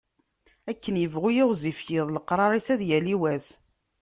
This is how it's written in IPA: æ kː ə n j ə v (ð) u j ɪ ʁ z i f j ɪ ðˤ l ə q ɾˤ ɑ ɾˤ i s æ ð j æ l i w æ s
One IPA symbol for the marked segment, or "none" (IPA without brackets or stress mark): ʁ